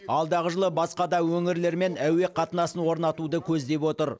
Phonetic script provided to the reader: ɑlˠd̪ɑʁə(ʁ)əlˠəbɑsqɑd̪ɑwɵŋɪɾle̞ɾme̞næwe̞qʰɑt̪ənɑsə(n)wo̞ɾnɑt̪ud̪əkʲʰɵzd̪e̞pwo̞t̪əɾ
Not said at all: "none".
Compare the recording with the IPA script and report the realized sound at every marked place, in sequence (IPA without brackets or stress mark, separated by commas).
ʒ, n